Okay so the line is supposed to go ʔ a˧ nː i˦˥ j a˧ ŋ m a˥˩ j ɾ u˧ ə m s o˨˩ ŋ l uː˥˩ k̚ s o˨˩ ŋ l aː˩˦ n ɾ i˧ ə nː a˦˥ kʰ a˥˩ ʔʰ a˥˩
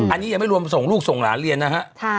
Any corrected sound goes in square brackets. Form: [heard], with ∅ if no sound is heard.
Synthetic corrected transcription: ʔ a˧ nː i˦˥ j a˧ ŋ m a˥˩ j ɾ u˧ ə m s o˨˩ ŋ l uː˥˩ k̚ s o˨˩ ŋ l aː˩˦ n ɾ i˧ ə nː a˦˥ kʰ [a˦˥] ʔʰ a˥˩